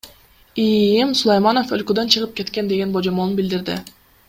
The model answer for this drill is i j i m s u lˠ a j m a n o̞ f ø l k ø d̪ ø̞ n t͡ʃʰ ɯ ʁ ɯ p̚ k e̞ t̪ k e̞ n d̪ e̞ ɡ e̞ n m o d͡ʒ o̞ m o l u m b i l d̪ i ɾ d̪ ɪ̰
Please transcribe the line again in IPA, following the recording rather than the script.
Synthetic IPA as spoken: i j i m s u lˠ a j m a n o̞ f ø l k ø d̪ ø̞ n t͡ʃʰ ɯ ʁ ɯ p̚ k e̞ t̪ k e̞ n d̪ e̞ ɡ e̞ n b o d͡ʒ o̞ m o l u n b i l d̪ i ɾ d̪ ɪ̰